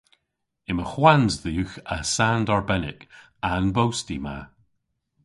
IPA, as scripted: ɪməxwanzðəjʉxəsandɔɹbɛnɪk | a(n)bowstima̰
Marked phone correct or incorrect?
correct